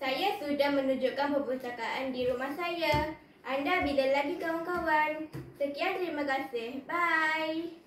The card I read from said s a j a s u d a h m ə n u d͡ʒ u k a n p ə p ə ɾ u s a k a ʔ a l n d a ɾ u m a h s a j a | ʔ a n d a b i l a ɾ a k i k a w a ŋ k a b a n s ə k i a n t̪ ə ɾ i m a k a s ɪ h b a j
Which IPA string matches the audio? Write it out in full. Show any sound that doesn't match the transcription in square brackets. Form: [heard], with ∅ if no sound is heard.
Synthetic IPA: s a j a s u d a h m ə n u d͡ʒ u k a n p ə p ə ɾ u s a k a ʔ a [∅] n d [i] ɾ u m a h s a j a | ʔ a n d a b i l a [l] a [ɡ] i k a w a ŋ k a [w] a n s ə k i a n t̪ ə ɾ i m a k a s ɪ h b a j